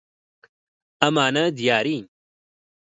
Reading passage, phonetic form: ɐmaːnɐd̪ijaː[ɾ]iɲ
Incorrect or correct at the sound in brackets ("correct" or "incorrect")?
correct